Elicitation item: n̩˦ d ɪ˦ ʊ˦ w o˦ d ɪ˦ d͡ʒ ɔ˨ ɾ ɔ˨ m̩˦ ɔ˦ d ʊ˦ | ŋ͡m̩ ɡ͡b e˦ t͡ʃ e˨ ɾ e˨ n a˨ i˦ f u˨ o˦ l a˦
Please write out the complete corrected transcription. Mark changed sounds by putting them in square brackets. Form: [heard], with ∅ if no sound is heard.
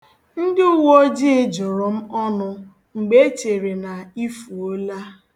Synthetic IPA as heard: n̩˦ d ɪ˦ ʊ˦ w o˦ [d͡ʒ] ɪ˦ d͡ʒ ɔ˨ ɾ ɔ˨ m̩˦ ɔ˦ [n] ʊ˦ | ŋ͡m̩ ɡ͡b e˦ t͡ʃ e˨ ɾ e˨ n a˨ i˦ f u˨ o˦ l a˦

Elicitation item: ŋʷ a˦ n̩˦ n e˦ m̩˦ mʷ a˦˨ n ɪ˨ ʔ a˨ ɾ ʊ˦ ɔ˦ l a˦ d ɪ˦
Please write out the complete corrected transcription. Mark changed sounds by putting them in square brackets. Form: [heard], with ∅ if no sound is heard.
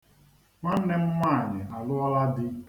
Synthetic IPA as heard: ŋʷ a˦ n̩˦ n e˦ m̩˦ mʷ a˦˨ [ɲ] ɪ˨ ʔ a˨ [l] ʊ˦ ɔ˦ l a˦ d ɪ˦

